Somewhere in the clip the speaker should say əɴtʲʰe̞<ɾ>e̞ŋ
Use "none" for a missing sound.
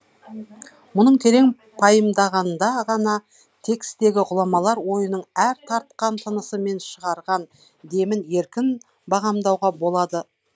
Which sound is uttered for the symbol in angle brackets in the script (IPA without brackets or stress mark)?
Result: ɾ